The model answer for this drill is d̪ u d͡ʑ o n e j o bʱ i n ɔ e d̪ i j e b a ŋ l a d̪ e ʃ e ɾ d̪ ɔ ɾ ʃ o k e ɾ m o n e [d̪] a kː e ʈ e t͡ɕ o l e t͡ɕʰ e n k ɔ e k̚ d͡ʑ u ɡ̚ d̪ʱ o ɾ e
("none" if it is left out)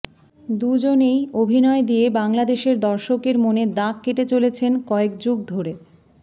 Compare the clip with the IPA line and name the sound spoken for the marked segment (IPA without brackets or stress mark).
d̪